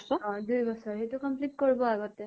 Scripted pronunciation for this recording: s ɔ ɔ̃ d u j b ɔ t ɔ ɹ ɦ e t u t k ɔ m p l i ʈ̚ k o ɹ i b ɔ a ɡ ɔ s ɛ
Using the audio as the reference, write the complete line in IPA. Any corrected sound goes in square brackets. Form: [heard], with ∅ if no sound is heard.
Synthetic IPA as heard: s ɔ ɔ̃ d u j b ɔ [s] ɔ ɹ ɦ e t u [∅] k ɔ m p l i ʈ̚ k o ɹ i b ɔ a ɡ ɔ [t] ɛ